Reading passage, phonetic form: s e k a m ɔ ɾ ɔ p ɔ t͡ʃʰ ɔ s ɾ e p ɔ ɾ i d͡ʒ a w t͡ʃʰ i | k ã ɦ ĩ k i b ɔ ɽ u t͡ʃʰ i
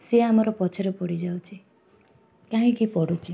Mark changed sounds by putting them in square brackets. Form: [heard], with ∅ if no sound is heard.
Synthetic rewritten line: s e [∅] a m ɔ ɾ ɔ p ɔ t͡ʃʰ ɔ [∅] ɾ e p ɔ [ɽ] i d͡ʒ a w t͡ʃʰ i | k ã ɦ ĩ k i [p] ɔ ɽ u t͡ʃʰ i